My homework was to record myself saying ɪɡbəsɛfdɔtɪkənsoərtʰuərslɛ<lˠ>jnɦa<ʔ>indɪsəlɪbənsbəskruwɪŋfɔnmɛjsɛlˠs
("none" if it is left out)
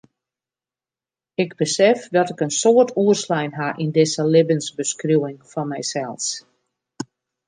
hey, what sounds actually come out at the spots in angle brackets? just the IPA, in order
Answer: none, ʔ

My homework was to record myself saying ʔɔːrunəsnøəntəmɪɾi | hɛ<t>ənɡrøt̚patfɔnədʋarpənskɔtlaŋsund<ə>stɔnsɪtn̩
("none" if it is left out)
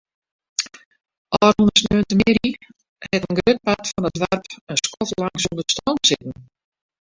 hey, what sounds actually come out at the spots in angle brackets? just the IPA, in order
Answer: t, ə

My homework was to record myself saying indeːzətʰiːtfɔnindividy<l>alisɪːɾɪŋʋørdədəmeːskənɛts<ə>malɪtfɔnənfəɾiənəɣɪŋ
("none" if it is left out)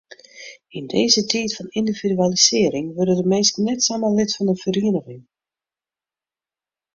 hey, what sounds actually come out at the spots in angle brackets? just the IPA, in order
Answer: none, a

